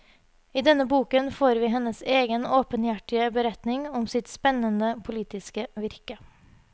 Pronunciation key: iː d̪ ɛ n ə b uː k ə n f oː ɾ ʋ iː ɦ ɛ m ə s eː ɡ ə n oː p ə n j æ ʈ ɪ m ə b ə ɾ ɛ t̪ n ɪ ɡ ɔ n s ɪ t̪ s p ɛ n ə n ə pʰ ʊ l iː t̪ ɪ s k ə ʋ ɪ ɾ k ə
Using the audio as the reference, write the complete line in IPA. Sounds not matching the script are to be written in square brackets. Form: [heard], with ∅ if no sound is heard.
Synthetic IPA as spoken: iː d̪ ɛ n ə b uː k ə n f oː ɾ ʋ iː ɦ ɛ [n] ə s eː ɡ ə n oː p ə n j æ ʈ ɪ [∅] ə b ə ɾ ɛ t̪ n ɪ [ŋ] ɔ [m] s ɪ t̪ s p ɛ n ə n ə pʰ ʊ l iː t̪ ɪ s k ə ʋ ɪ ɾ k ə